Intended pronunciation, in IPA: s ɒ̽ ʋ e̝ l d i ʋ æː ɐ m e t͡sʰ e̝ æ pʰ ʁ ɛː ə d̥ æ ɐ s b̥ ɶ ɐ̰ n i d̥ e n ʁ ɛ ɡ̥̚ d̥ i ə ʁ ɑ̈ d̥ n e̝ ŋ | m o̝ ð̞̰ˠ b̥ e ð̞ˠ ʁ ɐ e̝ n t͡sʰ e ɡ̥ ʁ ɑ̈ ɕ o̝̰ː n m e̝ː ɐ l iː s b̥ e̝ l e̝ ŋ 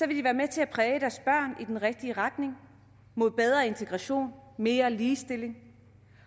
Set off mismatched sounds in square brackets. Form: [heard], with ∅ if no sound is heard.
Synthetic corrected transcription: s ɒ̽ ʋ e̝ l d i ʋ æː ɐ m e t͡sʰ e̝ æ pʰ ʁ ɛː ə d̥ æ ɐ s b̥ ɶ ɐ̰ n i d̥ e n ʁ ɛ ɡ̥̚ d̥ i ə ʁ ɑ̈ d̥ n e̝ ŋ | m o̝ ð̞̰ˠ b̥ e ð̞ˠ ʁ ɐ e̝ n t͡sʰ e ɡ̥ ʁ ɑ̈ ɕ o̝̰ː n m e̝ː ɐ l iː s [d̥] e̝ l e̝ ŋ